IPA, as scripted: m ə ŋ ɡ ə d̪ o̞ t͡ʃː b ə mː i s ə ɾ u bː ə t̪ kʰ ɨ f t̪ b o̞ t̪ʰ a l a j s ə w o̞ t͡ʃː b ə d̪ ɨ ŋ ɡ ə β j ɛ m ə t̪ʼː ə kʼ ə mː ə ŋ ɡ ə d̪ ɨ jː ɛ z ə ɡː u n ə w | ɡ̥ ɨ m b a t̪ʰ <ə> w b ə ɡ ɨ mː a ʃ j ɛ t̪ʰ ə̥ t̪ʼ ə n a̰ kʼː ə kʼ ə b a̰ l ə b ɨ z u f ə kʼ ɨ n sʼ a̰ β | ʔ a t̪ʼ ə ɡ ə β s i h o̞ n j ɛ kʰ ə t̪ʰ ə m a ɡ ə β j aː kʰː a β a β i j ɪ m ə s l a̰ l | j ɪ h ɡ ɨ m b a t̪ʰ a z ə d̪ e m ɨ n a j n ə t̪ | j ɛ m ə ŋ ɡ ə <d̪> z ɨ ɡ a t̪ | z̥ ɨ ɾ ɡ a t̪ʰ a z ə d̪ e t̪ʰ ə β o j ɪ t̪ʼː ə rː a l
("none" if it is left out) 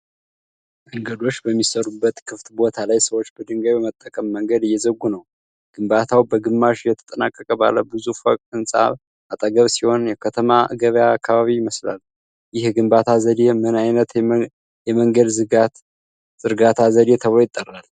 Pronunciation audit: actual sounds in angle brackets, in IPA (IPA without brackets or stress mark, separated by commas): a, d̪